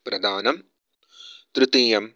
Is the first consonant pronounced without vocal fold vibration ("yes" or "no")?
yes